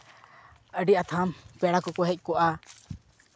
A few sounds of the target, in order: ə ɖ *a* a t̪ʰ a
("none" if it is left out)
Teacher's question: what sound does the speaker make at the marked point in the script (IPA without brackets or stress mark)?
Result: i